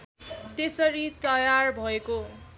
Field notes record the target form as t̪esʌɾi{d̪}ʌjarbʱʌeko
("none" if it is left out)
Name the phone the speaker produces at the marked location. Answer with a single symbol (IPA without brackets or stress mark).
t̪